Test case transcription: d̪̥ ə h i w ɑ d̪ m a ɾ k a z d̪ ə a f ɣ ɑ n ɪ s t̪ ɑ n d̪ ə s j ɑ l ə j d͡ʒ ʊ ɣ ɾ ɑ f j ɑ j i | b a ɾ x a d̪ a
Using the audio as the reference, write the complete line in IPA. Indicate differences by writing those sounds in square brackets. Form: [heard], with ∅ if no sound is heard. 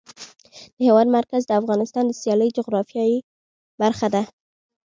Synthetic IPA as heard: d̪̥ ə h [e] w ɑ d̪ m a ɾ k a z d̪ ə a f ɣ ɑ n ɪ s t̪ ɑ n d̪ ə s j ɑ l ə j d͡ʒ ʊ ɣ ɾ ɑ f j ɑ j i | b a ɾ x a d̪ a